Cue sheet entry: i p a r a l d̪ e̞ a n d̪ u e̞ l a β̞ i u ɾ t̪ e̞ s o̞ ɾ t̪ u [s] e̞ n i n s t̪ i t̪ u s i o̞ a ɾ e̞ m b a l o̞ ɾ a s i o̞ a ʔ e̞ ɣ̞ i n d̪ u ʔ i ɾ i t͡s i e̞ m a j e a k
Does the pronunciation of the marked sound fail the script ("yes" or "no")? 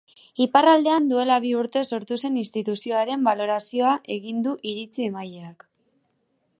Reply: no